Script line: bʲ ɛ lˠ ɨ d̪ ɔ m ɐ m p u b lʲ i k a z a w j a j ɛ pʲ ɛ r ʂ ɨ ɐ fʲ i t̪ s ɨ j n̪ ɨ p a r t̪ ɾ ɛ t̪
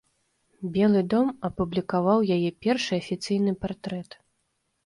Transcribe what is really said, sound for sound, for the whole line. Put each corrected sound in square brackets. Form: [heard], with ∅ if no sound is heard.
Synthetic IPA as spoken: bʲ ɛ lˠ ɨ d̪ ɔ m ɐ [∅] p u b lʲ i k a [v] a w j a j ɛ pʲ ɛ r ʂ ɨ ɐ fʲ i t̪ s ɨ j n̪ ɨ p a r t̪ ɾ ɛ t̪